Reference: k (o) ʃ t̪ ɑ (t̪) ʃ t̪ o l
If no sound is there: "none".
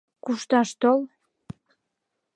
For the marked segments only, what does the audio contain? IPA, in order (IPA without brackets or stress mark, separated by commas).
u, none